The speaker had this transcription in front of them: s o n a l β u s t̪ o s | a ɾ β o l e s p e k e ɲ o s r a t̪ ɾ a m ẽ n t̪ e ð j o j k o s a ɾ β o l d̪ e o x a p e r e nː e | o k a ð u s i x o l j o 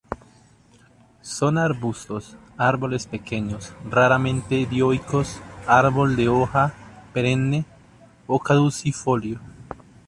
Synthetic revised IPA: s o n a ɾ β u s t̪ o s | a ɾ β o l e s p e k e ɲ o s r a ɾ a m ẽ n t̪ e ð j o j k o s a ɾ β o l d̪ e o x a p e ɾ e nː e | o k a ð u s i f o l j o